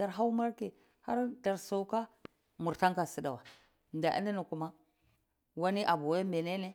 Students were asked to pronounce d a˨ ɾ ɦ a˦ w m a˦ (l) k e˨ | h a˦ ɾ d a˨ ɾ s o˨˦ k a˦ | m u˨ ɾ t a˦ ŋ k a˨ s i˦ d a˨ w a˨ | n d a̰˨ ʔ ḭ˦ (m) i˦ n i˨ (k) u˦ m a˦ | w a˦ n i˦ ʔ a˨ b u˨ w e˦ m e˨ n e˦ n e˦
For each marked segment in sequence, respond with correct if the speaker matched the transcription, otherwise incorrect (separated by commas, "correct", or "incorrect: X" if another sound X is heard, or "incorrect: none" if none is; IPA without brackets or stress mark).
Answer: incorrect: ɾ, incorrect: n, correct